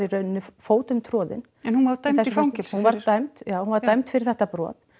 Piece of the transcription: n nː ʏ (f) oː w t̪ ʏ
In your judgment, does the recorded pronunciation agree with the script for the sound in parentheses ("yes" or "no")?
yes